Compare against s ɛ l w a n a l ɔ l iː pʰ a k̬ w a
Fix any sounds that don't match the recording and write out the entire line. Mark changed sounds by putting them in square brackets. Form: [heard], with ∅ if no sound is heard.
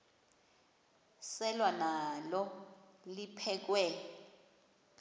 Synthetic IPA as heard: s ɛ l w a n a l ɔ l [i] pʰ [ɛ] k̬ w [ɛ]